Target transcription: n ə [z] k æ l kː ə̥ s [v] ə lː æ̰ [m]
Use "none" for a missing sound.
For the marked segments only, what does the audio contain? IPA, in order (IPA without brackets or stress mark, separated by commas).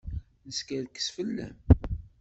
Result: s, f, m